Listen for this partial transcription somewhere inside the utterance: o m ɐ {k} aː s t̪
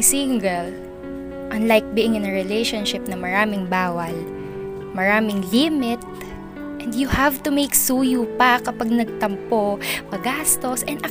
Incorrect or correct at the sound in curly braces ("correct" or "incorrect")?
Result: incorrect